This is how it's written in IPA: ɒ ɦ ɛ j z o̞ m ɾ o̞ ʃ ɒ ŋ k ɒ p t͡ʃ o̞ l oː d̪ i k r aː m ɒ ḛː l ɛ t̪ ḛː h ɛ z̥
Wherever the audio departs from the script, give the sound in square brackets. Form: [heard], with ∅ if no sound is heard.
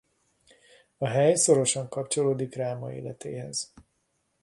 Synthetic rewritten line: ɒ ɦ ɛ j [s] o̞ [∅] ɾ o̞ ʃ ɒ ŋ k ɒ p t͡ʃ o̞ l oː d̪ i k r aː m ɒ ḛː l ɛ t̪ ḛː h ɛ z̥